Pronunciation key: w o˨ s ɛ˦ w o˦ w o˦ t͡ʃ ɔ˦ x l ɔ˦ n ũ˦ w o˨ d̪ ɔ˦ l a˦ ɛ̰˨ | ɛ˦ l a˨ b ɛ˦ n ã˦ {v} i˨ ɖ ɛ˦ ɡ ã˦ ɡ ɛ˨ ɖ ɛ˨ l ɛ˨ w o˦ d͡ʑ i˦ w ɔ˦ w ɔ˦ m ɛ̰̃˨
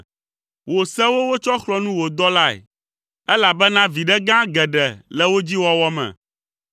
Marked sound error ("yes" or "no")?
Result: no